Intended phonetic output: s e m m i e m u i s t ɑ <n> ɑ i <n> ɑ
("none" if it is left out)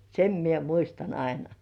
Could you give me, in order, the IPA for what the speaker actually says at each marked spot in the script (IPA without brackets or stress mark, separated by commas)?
n, n